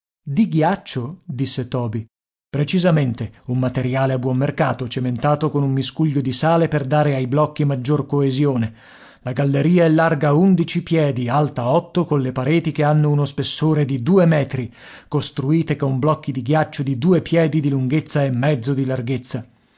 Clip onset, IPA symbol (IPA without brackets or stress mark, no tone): d̪